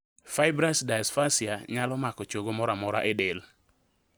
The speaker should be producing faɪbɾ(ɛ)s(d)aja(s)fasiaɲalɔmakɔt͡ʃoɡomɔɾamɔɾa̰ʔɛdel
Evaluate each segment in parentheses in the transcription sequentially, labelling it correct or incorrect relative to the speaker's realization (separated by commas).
incorrect, correct, correct